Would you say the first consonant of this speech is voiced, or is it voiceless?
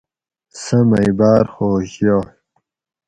voiceless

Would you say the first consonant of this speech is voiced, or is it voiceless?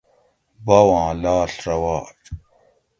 voiced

